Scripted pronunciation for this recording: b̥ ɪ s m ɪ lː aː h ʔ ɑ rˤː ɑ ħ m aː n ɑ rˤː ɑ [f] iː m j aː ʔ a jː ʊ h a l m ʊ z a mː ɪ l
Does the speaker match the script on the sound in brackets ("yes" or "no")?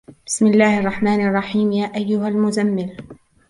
no